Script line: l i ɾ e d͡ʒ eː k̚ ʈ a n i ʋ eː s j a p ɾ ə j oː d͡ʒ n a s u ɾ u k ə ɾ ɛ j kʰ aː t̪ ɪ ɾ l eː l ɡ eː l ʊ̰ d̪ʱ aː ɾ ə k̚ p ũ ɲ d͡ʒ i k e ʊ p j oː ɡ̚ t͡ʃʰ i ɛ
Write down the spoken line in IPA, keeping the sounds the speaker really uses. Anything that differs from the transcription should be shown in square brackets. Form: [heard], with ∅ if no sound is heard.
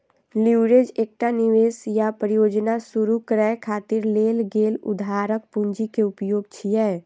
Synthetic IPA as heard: l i ɾ e d͡ʒ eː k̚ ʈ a n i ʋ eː s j a p ɾ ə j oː d͡ʒ n a s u ɾ u k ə ɾ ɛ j kʰ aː t̪ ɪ ɾ l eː l ɡ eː l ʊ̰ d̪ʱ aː ɾ ə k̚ p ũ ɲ d͡ʒ i k e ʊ p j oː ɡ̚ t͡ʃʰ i ɛ